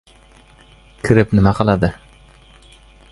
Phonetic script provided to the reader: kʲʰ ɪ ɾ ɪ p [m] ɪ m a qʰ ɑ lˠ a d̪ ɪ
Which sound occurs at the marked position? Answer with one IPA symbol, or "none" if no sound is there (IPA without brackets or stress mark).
n